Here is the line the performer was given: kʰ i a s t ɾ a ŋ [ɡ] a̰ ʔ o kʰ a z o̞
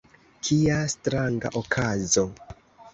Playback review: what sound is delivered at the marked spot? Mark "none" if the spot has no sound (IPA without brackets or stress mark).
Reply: ɡ